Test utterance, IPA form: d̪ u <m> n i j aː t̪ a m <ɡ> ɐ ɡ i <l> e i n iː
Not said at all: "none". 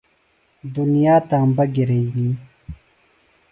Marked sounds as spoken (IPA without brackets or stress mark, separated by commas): none, b, ɾ